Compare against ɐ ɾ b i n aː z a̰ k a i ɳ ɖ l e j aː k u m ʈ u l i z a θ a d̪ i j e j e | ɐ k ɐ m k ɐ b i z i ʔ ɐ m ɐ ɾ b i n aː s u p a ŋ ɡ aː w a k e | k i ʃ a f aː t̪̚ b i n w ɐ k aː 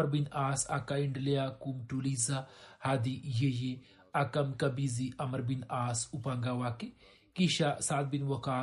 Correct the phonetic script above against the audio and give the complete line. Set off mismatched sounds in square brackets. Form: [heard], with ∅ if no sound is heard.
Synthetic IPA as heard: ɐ ɾ b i n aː [s] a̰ k a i ɳ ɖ l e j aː k u m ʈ u l i z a [h] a d̪ i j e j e | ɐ k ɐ m k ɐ b i z i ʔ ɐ m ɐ ɾ b i n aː s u p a ŋ ɡ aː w a k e | k i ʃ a [s] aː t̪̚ b i n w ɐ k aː